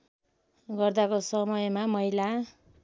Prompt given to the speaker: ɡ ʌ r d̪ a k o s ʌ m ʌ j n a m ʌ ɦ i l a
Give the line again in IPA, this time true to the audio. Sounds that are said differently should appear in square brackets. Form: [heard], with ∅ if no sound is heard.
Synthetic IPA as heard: ɡ ʌ r d̪ a k o s ʌ m ʌ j [m] a m ʌ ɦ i l a